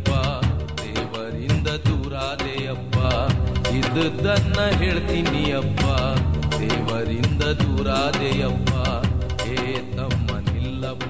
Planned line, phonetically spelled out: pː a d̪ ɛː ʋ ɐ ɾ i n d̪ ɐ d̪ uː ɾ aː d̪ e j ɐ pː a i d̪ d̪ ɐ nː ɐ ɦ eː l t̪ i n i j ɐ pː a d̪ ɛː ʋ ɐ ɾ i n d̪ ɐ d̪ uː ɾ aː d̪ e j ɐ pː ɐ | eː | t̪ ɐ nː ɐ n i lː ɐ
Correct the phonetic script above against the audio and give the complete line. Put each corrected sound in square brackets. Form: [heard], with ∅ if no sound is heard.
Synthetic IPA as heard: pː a d̪ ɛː ʋ ɐ ɾ i n d̪ ɐ d̪ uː ɾ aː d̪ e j ɐ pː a i d̪ d̪ ɐ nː ɐ ɦ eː [ɭ] t̪ i n i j ɐ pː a d̪ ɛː ʋ ɐ ɾ i n d̪ ɐ d̪ uː ɾ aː d̪ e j ɐ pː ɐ | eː | t̪ ɐ [mː] ɐ n i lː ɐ